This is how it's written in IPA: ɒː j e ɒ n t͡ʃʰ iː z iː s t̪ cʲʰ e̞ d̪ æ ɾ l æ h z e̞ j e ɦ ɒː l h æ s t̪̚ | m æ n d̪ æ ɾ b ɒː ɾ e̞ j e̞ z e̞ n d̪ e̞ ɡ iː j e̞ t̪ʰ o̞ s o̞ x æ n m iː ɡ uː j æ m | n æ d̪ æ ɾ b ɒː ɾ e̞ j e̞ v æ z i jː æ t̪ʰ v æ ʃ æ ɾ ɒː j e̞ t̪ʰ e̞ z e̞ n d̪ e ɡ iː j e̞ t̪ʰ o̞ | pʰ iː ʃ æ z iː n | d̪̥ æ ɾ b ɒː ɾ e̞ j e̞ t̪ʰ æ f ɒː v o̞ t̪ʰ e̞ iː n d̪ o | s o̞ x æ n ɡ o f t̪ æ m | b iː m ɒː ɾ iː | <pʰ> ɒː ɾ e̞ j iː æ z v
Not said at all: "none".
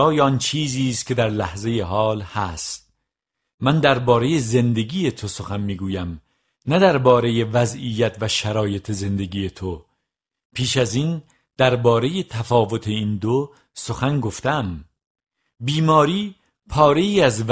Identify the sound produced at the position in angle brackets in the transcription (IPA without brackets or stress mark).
pʰ